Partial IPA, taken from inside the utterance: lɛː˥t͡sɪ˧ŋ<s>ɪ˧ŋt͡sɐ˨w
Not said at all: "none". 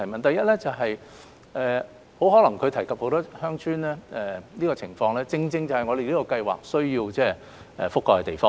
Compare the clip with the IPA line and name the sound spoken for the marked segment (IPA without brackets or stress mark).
t͡s